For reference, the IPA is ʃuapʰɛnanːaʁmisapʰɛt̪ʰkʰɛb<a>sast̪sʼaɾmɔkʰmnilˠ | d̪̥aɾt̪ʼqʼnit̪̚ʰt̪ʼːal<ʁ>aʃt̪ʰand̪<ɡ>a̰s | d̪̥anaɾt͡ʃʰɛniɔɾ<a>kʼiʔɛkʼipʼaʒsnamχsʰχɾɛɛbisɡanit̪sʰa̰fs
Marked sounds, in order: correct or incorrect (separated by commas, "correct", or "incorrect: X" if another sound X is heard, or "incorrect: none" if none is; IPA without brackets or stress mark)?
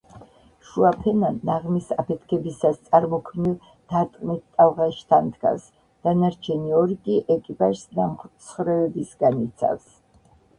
incorrect: i, correct, correct, incorrect: i